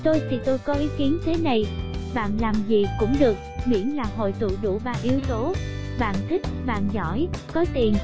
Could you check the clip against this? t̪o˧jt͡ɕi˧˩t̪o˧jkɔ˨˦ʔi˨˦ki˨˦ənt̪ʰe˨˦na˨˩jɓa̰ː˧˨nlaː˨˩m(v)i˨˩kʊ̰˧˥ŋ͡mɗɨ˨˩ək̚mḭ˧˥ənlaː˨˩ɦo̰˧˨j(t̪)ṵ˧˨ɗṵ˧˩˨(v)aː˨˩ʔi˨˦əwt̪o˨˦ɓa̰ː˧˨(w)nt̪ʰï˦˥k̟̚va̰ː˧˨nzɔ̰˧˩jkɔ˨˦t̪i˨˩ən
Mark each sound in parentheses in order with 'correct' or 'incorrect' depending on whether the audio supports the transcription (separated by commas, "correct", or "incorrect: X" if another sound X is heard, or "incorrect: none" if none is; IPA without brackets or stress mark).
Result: incorrect: z, correct, correct, incorrect: none